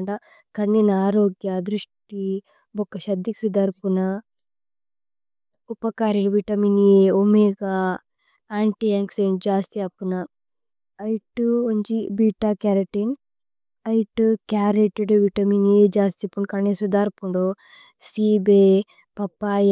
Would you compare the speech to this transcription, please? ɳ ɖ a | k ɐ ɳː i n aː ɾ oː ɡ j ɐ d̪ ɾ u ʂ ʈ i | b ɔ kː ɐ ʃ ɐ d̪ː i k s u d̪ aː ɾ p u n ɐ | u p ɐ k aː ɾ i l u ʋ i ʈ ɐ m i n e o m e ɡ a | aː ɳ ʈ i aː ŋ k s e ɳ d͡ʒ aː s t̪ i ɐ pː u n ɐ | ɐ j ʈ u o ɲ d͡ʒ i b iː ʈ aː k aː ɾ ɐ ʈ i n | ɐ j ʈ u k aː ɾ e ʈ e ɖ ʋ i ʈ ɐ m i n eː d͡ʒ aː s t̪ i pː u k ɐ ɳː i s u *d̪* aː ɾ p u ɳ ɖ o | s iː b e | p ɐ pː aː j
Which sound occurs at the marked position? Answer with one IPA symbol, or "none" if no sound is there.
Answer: d̪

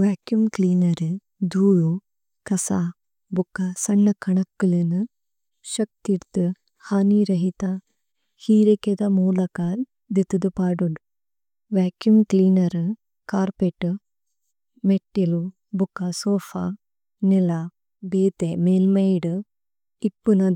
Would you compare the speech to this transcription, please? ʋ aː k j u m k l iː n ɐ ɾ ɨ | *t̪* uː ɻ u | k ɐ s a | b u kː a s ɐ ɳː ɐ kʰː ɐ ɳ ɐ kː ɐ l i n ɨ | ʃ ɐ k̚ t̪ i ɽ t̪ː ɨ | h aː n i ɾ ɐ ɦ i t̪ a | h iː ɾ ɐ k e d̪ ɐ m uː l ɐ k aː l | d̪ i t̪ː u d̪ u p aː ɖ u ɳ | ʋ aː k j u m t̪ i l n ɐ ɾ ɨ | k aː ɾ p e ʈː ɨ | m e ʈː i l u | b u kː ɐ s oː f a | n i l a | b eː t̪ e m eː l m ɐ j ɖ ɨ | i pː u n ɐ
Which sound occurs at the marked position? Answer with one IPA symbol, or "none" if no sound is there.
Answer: d̪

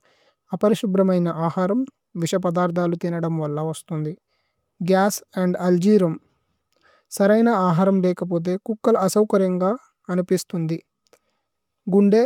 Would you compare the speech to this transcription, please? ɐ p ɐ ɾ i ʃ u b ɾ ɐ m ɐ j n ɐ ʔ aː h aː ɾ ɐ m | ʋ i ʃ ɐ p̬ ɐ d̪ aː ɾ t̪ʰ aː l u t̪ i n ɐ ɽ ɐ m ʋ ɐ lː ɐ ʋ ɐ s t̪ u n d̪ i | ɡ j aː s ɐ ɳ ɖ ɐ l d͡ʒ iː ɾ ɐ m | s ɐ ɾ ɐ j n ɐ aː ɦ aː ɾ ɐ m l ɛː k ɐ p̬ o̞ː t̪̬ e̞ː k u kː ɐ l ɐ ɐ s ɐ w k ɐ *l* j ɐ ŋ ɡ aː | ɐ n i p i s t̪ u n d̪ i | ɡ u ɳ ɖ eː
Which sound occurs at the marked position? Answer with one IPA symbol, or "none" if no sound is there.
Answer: ɾ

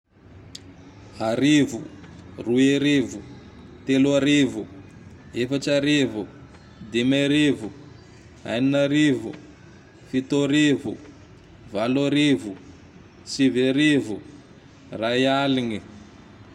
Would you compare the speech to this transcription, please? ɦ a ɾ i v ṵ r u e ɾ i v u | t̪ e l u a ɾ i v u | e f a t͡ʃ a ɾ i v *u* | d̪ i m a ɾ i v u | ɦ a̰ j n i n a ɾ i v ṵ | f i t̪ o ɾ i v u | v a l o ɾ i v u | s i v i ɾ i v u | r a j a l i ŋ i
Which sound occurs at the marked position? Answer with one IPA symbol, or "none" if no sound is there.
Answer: u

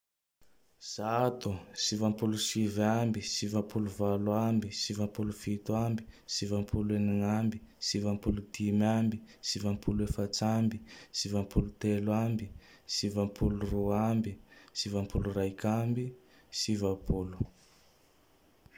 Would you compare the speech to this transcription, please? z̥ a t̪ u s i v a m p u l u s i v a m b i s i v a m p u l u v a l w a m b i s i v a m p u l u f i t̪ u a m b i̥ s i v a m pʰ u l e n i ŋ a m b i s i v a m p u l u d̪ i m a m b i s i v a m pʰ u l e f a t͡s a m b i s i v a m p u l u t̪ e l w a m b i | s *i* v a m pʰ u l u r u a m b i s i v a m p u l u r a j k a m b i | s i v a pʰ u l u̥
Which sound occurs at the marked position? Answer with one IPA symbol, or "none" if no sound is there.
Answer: i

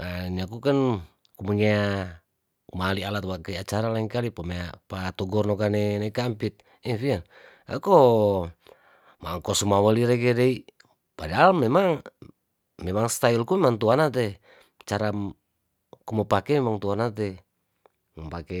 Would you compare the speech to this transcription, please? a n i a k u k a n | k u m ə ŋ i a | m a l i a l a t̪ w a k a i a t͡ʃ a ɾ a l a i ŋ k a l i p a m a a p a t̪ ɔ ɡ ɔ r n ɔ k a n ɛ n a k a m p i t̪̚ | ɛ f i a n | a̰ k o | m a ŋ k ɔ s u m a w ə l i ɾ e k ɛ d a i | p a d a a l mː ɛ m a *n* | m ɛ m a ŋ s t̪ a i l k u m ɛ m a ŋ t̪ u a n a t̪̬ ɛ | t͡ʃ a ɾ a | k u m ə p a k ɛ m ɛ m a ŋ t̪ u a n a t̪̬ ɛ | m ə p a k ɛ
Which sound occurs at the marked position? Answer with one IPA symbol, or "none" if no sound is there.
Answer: ŋ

